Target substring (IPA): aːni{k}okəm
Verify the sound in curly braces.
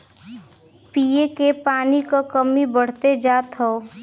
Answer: correct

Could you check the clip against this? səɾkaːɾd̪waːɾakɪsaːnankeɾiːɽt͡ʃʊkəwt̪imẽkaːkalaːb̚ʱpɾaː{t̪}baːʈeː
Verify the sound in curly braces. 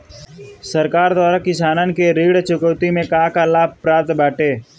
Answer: correct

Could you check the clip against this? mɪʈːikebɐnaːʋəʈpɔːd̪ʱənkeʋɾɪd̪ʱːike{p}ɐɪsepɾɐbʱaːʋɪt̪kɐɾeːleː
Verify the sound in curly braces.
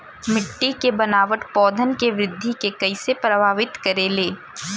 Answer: incorrect: k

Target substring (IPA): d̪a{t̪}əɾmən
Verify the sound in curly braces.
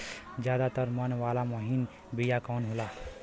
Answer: correct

